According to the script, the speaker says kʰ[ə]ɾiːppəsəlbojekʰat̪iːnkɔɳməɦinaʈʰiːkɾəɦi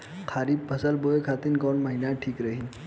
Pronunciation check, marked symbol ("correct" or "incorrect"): incorrect